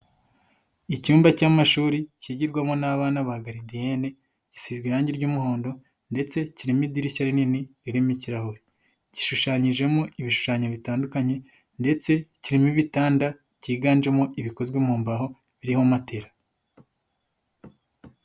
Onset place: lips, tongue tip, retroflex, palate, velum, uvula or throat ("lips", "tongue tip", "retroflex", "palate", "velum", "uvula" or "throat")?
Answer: palate